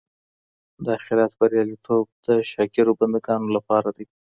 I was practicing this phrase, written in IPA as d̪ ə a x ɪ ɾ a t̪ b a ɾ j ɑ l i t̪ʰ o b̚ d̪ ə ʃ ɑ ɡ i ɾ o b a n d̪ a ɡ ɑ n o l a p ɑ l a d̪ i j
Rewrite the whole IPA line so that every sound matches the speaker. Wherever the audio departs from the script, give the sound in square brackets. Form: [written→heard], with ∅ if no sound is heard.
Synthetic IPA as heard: d̪ ə a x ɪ ɾ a t̪ b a ɾ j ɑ l i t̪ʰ o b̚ d̪ ə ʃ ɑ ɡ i ɾ o b a n d̪ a ɡ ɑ n o l a p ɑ [l→ɾ] a d̪ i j

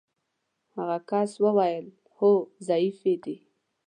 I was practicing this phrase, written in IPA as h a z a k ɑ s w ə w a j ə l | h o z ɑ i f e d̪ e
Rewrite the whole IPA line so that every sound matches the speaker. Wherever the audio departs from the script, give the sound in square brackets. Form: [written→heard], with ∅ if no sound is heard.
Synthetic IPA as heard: h a [z→ɣ] a k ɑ s w ə w a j ə l | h o z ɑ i f e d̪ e

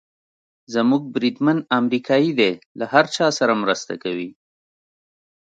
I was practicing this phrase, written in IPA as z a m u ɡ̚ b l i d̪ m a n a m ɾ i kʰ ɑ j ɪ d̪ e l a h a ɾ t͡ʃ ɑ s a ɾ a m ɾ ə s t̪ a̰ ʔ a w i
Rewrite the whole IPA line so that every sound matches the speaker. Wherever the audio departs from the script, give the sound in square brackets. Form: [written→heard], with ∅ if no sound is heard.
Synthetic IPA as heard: z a m u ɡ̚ b [l→ɾ] i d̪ m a n a m ɾ i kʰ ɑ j [ɪ→i] d̪ e l a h a ɾ t͡ʃ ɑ s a ɾ a m ɾ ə s t̪ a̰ [ʔ→k] a w i

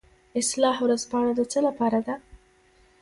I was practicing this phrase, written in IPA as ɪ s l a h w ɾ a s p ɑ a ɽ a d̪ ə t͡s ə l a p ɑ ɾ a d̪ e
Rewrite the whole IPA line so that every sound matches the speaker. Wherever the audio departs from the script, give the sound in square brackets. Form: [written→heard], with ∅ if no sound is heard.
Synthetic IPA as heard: ɪ s l [a→ɑ] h w ɾ a [s→z] p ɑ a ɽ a d̪ ə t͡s ə l a p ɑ ɾ a d̪ [e→a]

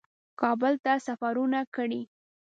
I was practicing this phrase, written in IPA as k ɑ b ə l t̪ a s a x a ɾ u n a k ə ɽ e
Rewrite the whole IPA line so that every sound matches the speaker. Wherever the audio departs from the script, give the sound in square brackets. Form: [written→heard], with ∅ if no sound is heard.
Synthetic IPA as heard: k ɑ b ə l t̪ a s a [x→f] a ɾ u n a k ə ɽ [e→i]

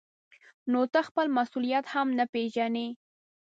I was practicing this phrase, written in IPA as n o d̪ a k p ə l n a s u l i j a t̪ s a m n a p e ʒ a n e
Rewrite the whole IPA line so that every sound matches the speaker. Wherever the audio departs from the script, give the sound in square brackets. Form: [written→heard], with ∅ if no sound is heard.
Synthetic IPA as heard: n o [d̪→t̪] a [k→x] p ə l [n→m] a s u l i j a t̪ [s→h] a m n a p e ʒ a n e

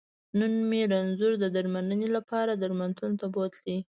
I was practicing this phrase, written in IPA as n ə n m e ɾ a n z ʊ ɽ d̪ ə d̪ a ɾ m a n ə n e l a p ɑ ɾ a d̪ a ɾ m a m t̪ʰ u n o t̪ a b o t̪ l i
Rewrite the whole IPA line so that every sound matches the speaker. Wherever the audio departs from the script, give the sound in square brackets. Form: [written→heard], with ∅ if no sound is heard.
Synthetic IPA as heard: n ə n m e ɾ a n z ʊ [ɽ→ɾ] d̪ ə d̪ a ɾ m a n ə n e l a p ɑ ɾ a d̪ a ɾ m a [m→n] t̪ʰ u n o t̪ a b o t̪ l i

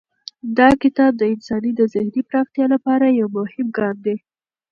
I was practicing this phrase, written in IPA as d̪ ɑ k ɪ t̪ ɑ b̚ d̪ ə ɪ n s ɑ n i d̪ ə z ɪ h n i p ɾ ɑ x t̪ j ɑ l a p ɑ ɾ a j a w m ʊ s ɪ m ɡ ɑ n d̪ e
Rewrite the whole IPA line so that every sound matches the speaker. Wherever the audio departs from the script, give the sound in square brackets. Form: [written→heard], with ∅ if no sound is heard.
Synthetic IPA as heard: d̪ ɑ k ɪ t̪ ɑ b̚ d̪ ə ɪ n s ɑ n i d̪ ə z ɪ h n i p ɾ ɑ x t̪ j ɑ l a p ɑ ɾ a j a w m ʊ [s→h] ɪ m ɡ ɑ n d̪ e

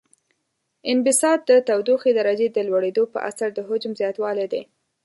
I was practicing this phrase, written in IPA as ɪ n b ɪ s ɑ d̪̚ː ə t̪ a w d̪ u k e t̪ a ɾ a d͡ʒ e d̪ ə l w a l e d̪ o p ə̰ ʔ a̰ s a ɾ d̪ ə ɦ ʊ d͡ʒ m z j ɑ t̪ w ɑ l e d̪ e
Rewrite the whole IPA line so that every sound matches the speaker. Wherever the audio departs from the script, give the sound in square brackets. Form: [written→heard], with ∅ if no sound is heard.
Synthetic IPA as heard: ɪ n b ɪ s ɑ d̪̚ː ə t̪ a w d̪ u [k→x] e [t̪→d̪] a ɾ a d͡ʒ e d̪ ə l w a [l→ɽ] e d̪ o p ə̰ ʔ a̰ s a ɾ d̪ ə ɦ ʊ d͡ʒ m z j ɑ t̪ w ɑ l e d̪ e

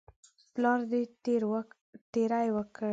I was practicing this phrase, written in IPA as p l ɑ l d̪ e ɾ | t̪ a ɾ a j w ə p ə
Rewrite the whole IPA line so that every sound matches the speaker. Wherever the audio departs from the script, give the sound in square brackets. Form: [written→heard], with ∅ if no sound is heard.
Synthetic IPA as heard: p l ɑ [l→ɾ] d̪ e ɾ | t̪ [a→e] ɾ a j w ə [p→k] ə

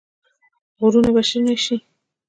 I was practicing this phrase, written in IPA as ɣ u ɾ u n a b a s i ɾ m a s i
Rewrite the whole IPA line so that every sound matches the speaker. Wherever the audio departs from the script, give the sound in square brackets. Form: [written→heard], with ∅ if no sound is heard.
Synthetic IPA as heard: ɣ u ɾ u n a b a [s→ʃ] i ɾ [m→n] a [s→ʃ] i

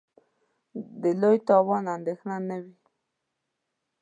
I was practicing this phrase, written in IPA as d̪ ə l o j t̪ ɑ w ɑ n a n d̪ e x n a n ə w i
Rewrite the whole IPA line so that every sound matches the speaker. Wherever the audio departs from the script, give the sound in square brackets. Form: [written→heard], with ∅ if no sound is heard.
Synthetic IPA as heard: d̪ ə l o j t̪ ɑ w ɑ n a n d̪ e x n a n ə w i

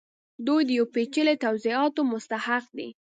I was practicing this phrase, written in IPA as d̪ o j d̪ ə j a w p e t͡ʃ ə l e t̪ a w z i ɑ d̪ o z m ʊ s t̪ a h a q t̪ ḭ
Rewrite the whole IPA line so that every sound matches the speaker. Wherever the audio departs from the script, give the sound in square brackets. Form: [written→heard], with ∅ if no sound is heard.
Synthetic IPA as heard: d̪ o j d̪ ə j a w p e t͡ʃ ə l e t̪ a w z i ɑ [d̪→t̪] o [z→∅] m ʊ s t̪ a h a q [t̪→d̪] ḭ

